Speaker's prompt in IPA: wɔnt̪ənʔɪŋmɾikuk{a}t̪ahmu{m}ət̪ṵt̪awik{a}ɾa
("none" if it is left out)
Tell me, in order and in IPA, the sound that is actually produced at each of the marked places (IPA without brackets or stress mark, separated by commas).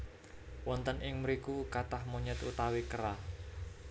a, ɲ, ə